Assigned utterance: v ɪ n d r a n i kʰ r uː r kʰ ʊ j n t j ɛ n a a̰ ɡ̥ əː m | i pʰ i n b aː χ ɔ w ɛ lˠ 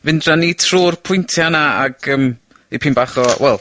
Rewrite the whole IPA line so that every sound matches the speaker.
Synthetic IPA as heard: v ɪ n d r a n i tʰ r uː r pʰ ʊ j n tʰ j a n a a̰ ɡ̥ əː m | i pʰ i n b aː χ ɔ w ɛ lˠ